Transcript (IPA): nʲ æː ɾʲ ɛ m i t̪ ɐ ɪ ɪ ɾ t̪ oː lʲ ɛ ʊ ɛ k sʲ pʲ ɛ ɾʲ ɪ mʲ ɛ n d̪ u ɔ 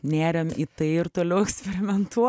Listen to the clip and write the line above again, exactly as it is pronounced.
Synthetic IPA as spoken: nʲ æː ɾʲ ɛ m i t̪ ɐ ɪ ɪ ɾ t̪ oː lʲ ɛ ʊ ɛ k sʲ pʲ ɛ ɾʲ ɪ mʲ ɛ n t̪ u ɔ

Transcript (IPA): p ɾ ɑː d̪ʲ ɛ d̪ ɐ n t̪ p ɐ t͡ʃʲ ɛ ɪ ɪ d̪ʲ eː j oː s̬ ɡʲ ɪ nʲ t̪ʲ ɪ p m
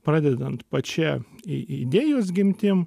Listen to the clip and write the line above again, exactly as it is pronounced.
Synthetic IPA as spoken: p ɾ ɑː d̪ʲ ɛ d̪ ɐ n t̪ p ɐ t͡ʃʲ ɛ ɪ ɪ d̪ʲ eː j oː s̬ ɡʲ ɪ mʲ t̪ʲ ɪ m

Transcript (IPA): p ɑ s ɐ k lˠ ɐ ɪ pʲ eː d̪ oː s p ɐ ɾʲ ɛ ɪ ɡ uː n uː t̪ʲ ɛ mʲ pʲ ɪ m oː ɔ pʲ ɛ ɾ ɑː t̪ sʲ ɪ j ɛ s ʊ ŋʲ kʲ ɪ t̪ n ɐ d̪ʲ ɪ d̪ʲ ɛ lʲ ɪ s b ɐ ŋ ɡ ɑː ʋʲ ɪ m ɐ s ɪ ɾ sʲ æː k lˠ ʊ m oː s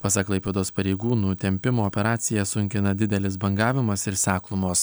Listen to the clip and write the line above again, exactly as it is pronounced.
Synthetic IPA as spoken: p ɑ s ɐ k lˠ ɐ ɪ pʲ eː d̪ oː s p ɐ ɾʲ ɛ ɪ ɡ uː n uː t̪ʲ ɛ mʲ pʲ ɪ m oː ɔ pʲ ɛ ɾ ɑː t̪ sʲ ɪ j ɛ s ʊ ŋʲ kʲ ɪ n ɐ d̪ʲ ɪ d̪ʲ ɛ lʲ ɪ s b ɐ ŋ ɡ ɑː ʋʲ ɪ m ɐ s ɪ ɾ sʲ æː k lˠ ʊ m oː s

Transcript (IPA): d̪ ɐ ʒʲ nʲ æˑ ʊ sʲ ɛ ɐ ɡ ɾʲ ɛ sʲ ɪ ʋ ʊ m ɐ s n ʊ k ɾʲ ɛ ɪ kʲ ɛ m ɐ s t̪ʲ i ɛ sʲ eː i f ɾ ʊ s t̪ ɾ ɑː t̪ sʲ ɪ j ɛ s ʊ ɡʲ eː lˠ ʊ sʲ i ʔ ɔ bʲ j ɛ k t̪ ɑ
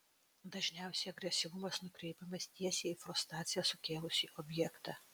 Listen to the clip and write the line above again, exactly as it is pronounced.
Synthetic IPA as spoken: d̪ ɐ ʒʲ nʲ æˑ ʊ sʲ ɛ ɐ ɡ ɾʲ ɛ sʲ ɪ ʋ ʊ m ɐ s n ʊ k ɾʲ ɛ ɪ pʲ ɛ m ɐ s t̪ʲ i ɛ sʲ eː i f ɾ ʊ s t̪ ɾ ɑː t̪ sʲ ɪ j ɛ s ʊ kʲ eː lˠ ʊ sʲ i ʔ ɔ bʲ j ɛ k t̪ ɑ

